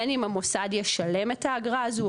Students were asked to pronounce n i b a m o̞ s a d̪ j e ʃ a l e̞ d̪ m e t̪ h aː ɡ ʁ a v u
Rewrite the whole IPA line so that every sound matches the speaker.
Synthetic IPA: n i m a m o̞ s a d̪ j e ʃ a l e̞ m e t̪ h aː ɡ ʁ a z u